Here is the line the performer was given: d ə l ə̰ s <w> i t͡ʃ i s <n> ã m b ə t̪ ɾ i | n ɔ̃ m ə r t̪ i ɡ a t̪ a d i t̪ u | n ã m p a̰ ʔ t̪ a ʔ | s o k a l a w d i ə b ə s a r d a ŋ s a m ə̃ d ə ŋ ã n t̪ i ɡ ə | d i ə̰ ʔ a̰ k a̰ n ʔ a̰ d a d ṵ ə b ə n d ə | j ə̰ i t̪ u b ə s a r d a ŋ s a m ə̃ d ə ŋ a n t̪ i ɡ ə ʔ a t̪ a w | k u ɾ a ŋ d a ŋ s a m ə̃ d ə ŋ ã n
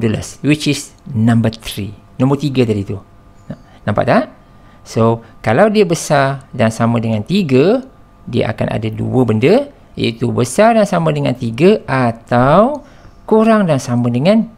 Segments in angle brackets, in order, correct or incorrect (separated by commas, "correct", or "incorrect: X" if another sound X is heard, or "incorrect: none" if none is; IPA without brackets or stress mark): correct, correct